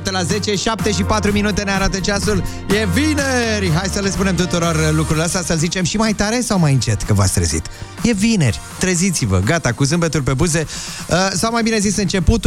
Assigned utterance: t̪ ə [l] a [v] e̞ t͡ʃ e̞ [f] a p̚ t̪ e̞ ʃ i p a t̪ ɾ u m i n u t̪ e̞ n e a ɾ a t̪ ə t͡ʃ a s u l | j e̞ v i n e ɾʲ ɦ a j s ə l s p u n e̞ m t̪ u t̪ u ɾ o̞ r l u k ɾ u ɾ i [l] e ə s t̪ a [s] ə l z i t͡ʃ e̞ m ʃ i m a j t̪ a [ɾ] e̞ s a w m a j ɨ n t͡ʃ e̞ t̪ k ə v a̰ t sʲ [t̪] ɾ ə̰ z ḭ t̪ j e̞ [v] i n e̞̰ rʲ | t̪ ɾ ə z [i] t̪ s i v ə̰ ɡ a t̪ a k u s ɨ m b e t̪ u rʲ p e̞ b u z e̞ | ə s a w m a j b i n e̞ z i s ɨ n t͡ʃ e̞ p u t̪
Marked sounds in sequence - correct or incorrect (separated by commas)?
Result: correct, incorrect, incorrect, correct, correct, correct, correct, correct, correct